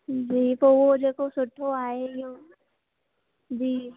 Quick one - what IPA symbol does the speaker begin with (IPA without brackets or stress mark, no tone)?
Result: d͡ʒ